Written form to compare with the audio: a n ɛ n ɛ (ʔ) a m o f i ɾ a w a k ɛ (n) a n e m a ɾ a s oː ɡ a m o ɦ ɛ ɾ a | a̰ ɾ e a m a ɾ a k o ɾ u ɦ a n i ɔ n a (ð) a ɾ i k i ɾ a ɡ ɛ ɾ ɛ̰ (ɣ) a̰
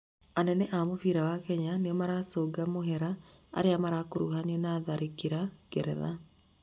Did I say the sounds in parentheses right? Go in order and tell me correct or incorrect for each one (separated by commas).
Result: correct, incorrect, correct, incorrect